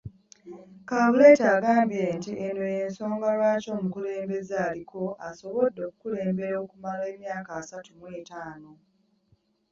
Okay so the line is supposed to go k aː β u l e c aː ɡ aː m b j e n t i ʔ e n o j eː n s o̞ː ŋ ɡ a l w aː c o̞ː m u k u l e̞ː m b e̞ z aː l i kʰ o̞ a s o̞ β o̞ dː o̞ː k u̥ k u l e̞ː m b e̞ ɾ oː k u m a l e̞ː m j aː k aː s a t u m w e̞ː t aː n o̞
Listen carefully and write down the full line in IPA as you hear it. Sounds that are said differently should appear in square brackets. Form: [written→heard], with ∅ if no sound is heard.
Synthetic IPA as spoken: k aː β u l e [c→t] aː ɡ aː m b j e n t i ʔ e n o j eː n s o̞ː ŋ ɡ a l w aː c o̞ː m u k u l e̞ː m b e̞ z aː l i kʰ o̞ a s o̞ β o̞ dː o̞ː k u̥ k u l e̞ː m b e̞ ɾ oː k u m a l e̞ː m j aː k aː s a t u m w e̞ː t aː n o̞